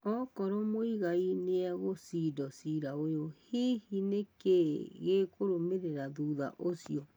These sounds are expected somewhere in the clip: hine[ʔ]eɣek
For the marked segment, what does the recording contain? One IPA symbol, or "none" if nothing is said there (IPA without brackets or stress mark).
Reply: k